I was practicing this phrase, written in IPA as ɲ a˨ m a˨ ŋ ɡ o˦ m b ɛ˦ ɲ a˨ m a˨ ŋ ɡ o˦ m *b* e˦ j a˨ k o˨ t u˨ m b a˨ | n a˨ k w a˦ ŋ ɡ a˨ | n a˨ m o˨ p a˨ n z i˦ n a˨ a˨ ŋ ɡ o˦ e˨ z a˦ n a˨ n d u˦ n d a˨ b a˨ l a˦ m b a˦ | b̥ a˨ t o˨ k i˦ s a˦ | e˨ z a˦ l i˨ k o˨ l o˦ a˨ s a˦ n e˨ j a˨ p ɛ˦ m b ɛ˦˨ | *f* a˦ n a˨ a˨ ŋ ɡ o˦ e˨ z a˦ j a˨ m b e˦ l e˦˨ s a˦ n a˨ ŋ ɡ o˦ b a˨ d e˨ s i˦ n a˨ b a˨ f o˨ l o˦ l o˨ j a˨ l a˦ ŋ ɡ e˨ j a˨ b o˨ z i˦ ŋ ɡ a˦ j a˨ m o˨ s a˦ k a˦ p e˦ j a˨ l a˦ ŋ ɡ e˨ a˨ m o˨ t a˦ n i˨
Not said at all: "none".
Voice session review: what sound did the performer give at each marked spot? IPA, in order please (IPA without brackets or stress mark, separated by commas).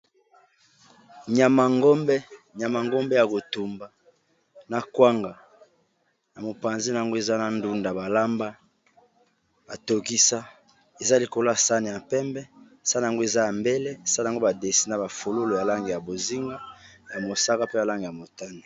b, s